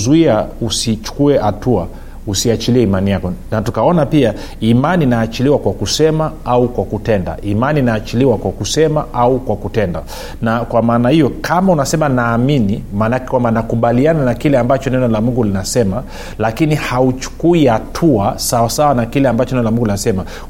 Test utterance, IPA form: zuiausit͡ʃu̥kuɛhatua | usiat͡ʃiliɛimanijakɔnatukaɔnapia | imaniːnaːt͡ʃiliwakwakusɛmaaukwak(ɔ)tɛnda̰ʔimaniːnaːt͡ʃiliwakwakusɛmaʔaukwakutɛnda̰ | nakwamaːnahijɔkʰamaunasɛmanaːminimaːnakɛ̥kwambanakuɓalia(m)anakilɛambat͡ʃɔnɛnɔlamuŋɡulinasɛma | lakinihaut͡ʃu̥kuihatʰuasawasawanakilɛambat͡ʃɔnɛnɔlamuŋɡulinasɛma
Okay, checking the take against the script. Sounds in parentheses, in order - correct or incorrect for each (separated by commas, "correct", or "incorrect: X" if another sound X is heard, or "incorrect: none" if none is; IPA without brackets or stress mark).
incorrect: u, incorrect: n